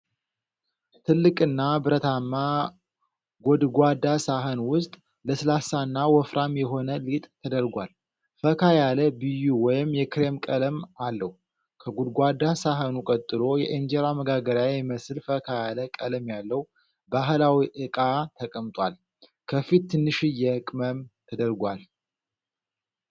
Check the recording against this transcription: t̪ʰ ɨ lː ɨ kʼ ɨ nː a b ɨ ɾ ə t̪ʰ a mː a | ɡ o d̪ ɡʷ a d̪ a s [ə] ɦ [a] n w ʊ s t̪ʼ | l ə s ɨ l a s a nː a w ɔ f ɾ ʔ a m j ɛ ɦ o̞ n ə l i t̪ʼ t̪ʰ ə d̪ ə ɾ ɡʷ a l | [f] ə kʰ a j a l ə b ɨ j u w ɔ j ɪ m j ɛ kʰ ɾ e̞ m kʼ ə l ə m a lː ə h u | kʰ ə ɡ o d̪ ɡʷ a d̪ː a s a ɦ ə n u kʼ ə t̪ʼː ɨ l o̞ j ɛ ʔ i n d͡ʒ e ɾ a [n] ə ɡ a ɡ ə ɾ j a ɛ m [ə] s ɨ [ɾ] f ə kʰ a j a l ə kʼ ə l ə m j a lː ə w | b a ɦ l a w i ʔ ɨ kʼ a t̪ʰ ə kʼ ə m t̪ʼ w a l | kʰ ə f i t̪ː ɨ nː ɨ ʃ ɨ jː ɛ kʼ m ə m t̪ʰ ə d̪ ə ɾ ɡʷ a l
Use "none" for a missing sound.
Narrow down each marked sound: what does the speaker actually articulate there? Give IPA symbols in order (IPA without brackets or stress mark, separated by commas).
a, ə, f, m, ə, l